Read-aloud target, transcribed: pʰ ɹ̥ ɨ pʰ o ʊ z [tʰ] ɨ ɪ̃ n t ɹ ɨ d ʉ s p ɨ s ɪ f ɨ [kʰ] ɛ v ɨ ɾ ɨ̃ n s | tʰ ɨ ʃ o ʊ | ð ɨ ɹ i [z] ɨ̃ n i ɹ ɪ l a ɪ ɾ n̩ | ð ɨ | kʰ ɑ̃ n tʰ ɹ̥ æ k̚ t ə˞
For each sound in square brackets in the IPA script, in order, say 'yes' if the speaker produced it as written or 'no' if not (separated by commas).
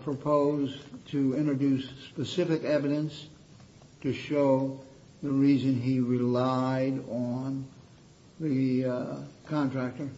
yes, no, yes